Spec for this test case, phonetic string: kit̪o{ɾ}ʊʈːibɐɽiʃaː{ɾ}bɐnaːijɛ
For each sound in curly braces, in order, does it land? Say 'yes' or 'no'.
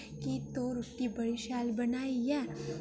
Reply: yes, no

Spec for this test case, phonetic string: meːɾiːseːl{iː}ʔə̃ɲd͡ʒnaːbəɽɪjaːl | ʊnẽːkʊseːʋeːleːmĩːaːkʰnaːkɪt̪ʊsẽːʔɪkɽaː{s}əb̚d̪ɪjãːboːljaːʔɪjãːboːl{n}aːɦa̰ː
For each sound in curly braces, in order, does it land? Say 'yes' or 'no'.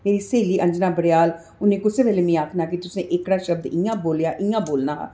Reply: yes, no, yes

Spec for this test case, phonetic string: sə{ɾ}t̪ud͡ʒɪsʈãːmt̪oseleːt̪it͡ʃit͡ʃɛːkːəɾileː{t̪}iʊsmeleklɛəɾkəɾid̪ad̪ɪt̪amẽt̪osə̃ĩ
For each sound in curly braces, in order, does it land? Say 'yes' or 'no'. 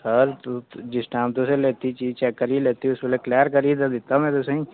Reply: yes, yes

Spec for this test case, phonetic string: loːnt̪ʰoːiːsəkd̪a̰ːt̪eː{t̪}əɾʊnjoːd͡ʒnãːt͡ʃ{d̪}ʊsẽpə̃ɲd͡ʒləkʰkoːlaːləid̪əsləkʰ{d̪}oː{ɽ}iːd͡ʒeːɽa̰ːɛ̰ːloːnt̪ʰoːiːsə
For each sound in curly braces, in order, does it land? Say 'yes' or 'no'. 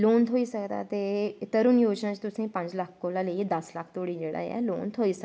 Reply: yes, no, no, yes

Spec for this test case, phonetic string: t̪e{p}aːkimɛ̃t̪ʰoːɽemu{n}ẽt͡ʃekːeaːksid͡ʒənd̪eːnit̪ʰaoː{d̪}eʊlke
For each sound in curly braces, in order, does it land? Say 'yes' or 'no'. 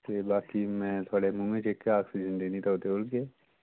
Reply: no, no, no

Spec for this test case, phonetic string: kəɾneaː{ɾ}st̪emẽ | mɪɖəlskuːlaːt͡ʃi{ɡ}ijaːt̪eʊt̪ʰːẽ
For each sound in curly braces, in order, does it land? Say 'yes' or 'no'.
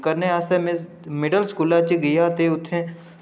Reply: no, yes

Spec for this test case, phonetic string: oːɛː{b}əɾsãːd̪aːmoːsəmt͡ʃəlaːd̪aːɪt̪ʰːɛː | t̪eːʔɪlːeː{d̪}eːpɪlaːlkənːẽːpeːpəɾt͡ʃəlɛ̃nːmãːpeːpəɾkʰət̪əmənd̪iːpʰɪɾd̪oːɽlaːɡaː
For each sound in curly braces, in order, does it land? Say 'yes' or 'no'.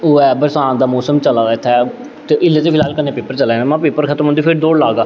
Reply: yes, no

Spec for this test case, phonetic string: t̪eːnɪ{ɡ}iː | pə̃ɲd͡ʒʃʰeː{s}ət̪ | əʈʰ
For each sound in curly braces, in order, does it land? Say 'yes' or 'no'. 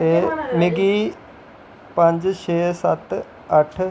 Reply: yes, yes

